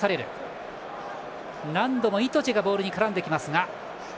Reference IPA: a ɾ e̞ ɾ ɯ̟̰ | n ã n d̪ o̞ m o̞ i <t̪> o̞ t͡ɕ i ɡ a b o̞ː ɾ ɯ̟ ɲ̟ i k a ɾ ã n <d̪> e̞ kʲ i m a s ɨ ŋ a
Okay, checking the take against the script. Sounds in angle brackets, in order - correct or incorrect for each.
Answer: correct, correct

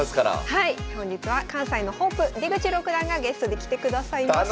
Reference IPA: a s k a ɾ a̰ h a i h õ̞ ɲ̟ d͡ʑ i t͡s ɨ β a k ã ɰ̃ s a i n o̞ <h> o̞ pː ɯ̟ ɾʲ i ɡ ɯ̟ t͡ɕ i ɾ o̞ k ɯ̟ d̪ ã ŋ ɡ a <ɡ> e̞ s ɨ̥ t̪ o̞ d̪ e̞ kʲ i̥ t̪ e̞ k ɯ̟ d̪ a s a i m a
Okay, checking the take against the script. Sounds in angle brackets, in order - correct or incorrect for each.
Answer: correct, correct

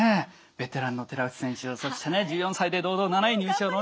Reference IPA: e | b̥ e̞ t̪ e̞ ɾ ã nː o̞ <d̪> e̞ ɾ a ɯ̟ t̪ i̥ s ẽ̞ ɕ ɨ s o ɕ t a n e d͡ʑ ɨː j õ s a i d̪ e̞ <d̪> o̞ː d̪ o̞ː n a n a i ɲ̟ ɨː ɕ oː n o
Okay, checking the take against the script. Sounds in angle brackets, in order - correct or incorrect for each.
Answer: incorrect: t̪, correct

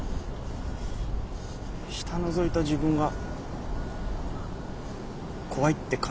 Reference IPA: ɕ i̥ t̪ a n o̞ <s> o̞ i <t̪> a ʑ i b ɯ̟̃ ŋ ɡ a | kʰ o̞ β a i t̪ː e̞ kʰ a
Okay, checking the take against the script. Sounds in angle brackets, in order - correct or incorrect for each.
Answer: incorrect: z, correct

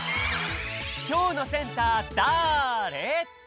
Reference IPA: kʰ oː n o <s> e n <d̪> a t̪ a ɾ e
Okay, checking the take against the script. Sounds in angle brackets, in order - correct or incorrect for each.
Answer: correct, incorrect: t̪

